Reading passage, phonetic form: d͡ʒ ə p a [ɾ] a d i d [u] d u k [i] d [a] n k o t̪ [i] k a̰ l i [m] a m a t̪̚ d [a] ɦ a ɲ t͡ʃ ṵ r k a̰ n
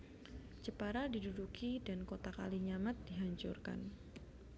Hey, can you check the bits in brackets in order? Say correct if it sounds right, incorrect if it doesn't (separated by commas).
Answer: correct, correct, correct, correct, incorrect, incorrect, incorrect